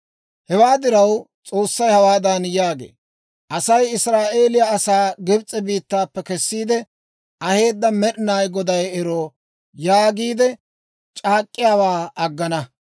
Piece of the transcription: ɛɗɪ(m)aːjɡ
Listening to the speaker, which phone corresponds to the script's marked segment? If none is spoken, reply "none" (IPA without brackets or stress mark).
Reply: n